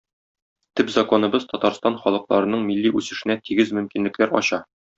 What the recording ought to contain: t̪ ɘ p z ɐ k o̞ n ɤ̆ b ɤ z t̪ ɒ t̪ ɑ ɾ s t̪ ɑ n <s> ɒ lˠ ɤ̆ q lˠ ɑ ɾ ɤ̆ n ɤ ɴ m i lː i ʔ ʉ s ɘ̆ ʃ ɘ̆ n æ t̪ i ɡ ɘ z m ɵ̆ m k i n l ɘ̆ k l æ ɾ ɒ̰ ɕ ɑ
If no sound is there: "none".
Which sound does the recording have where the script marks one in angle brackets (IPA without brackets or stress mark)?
χ